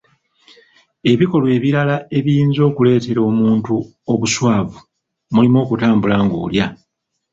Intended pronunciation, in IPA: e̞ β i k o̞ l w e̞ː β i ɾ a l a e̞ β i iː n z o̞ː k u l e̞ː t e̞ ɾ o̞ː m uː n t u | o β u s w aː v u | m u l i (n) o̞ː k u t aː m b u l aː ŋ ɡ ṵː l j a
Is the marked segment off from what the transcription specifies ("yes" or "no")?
yes